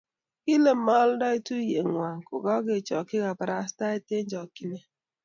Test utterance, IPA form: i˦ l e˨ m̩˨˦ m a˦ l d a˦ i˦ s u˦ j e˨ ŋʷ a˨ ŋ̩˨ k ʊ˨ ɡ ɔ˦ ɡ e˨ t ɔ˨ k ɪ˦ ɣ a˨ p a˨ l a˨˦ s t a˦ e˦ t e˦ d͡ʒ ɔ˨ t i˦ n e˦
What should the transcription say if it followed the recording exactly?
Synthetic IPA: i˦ l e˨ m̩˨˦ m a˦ l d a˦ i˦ t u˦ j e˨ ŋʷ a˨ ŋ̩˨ k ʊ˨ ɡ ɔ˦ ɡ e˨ t͡ʃ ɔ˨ k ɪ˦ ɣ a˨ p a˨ ɾ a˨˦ s t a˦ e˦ t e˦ d͡ʒ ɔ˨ k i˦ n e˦